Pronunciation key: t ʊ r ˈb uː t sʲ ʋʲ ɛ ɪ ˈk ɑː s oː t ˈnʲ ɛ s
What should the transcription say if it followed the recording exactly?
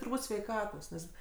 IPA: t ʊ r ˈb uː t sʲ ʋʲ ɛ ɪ ˈk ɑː t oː s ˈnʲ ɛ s